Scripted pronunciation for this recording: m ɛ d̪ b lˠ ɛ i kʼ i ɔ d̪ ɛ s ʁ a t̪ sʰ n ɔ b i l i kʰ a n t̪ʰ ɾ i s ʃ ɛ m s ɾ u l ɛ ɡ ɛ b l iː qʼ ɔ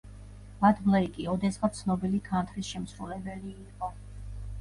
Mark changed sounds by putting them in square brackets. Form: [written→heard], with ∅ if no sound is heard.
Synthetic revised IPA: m [ɛ→a] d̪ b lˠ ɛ i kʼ i ɔ d̪ ɛ s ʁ a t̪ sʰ n ɔ b i l i kʰ a n t̪ʰ ɾ i s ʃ ɛ m s ɾ u l ɛ [ɡ→b] ɛ [b→∅] l iː qʼ ɔ